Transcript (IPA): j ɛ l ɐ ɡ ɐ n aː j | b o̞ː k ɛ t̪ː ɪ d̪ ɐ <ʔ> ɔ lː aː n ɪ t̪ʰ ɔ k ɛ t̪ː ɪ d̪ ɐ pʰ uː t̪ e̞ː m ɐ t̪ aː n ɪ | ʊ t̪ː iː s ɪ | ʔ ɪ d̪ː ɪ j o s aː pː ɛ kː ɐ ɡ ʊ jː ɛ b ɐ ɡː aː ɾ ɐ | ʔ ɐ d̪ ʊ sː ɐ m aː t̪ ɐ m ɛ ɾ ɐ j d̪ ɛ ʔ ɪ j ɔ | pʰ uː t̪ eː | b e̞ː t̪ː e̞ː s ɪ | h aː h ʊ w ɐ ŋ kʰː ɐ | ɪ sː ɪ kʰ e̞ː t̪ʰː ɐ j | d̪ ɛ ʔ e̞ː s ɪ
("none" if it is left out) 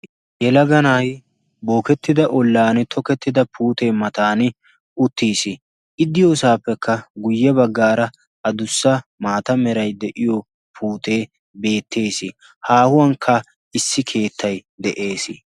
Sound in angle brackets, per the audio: ʔ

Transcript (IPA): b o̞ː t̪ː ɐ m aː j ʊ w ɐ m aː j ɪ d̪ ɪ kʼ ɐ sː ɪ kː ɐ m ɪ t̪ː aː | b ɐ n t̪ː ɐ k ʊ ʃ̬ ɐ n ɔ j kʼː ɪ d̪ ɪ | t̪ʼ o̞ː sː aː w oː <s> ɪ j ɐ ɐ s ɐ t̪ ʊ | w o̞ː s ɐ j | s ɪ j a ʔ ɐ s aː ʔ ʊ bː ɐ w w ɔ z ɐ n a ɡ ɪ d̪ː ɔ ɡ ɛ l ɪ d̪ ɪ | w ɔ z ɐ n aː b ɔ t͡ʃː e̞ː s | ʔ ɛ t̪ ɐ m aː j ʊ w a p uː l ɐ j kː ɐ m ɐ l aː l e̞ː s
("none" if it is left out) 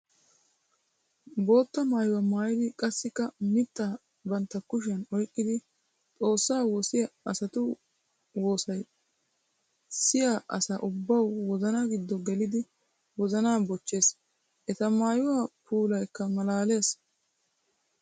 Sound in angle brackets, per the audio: s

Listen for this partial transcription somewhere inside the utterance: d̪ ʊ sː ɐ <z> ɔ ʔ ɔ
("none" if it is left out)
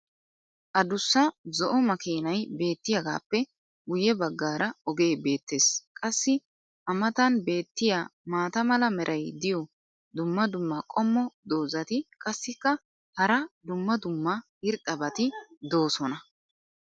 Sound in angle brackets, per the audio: z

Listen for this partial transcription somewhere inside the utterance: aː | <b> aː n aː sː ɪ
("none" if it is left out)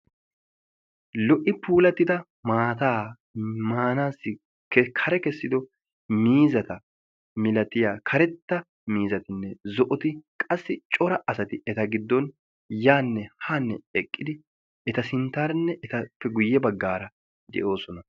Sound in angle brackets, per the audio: m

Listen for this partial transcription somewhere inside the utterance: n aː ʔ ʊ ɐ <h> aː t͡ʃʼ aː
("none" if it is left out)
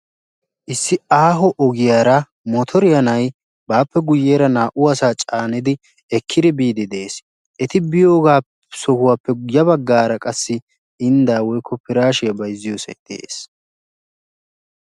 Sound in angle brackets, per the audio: s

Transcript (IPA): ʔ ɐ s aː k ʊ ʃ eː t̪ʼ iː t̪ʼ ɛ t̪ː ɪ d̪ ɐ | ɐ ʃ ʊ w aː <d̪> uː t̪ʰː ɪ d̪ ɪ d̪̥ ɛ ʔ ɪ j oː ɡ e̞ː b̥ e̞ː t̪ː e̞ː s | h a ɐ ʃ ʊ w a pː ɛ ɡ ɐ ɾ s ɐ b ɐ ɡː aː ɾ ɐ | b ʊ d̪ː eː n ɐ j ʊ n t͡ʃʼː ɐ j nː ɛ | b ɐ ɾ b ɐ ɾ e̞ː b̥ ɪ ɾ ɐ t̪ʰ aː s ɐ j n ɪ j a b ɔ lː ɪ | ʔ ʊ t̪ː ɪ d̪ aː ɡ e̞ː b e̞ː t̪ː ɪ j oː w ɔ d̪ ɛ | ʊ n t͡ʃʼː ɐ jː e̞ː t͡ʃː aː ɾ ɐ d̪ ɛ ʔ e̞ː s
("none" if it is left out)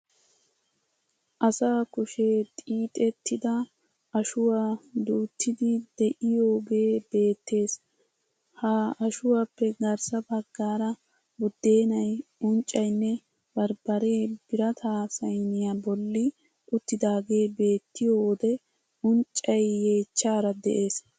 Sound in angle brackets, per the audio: d̪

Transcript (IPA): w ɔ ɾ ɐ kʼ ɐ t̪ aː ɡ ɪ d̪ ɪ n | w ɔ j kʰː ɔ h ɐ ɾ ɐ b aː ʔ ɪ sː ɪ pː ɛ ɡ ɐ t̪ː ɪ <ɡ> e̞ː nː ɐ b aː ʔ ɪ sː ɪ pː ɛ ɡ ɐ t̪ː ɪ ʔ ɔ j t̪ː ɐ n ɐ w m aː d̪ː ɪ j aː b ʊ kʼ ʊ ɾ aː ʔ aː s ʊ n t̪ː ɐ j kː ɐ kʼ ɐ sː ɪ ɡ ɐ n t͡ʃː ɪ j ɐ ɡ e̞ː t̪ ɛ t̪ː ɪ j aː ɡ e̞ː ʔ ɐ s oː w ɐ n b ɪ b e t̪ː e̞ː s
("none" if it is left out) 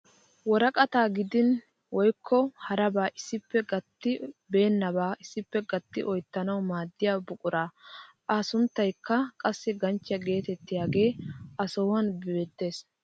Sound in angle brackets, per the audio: b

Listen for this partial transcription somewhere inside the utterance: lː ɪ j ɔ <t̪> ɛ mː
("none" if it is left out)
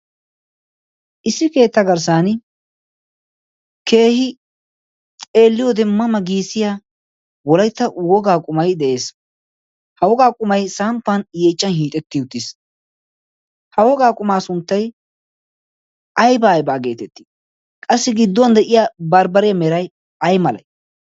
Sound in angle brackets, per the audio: d̪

